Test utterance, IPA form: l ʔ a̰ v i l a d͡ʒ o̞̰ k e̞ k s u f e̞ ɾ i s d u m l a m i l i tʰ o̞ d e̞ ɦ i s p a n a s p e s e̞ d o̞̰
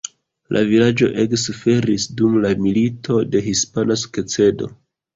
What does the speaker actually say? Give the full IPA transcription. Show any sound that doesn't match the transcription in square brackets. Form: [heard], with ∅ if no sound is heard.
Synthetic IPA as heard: l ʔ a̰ v i l a d͡ʒ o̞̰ [ʔ] e̞ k s u f e̞ ɾ i s d u m l a m i l i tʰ o̞ d e̞ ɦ i s p a n a s [k] e [t͡s] e̞ d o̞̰